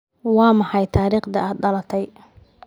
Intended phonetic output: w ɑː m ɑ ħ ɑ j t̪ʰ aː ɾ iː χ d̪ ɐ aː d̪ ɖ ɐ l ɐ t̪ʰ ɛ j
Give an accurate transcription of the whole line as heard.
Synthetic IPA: w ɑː m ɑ ħ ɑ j t̪ʰ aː ɾ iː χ d̪ ɐ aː d̪ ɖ ɐ l ɐ t̪ʰ ɛ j